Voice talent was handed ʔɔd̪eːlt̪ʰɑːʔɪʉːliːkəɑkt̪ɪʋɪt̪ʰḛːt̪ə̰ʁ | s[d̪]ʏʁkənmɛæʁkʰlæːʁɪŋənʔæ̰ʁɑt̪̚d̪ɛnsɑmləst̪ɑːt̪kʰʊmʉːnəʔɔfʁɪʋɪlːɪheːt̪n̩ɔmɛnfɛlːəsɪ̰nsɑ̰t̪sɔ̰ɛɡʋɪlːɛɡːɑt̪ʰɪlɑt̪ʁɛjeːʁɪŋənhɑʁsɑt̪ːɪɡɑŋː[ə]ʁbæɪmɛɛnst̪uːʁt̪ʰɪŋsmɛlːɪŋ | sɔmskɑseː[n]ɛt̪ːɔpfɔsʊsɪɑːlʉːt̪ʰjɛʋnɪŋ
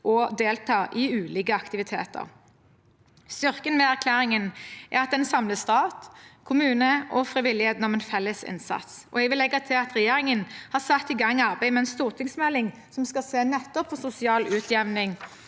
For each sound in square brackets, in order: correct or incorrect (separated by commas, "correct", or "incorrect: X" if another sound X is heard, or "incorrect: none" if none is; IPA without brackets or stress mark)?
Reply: incorrect: t̪, incorrect: ɑ, correct